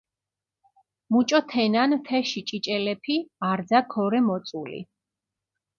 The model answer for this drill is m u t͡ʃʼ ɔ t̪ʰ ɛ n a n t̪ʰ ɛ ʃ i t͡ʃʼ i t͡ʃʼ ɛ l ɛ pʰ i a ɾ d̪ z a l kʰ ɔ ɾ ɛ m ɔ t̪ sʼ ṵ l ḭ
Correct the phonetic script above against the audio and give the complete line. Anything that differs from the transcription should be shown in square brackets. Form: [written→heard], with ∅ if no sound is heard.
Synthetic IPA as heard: m u t͡ʃʼ ɔ t̪ʰ ɛ n a n t̪ʰ ɛ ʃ i t͡ʃʼ i t͡ʃʼ ɛ l ɛ pʰ i a ɾ d̪ z a [l→∅] kʰ ɔ ɾ ɛ m ɔ t̪ sʼ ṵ l ḭ